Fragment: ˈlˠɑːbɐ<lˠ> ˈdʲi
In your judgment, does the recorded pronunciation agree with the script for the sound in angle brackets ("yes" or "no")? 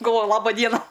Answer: no